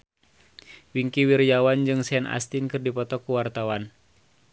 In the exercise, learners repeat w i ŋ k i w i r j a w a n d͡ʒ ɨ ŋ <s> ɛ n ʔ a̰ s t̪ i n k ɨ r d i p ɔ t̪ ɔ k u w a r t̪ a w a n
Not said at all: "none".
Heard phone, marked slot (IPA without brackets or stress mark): s